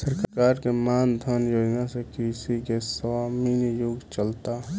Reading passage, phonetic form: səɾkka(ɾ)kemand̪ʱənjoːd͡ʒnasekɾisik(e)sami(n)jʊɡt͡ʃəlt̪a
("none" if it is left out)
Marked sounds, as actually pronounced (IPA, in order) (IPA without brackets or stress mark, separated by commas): ɾ, e, n